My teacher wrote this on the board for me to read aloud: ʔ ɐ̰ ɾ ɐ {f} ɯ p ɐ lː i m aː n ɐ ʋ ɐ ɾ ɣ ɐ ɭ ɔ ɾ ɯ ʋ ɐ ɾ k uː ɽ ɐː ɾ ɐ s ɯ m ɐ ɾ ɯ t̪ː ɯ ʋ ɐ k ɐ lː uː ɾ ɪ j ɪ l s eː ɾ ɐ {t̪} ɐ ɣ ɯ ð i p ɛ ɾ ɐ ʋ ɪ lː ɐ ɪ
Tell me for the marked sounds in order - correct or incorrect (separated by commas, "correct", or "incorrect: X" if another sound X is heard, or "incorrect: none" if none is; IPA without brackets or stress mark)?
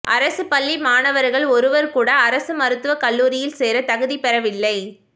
incorrect: s, correct